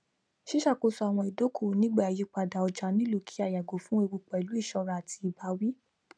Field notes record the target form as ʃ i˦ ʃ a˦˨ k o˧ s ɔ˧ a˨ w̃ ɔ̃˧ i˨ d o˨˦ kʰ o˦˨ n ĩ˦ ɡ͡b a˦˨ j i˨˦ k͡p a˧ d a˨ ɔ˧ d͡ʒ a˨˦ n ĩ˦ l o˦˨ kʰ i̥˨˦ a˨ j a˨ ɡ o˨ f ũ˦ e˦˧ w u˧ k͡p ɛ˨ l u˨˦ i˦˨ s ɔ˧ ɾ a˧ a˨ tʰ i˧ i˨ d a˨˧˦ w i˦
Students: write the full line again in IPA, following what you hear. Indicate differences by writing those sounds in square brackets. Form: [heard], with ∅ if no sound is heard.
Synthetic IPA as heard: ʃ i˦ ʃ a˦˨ k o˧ s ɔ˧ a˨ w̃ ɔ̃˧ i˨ d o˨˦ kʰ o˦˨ n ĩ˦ ɡ͡b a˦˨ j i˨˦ k͡p a˧ d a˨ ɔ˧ d͡ʒ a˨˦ n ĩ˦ l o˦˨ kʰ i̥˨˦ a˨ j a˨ ɡ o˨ f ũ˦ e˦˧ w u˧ k͡p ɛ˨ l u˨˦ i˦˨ [ʃ] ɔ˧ ɾ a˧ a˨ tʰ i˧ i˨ [b] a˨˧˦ w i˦